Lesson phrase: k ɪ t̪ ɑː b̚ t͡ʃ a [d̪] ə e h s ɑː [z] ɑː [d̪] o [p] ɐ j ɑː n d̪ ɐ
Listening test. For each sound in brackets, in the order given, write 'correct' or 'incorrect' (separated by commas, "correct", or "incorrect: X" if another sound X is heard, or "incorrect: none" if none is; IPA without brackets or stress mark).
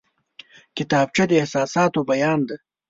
correct, incorrect: s, incorrect: t̪, incorrect: b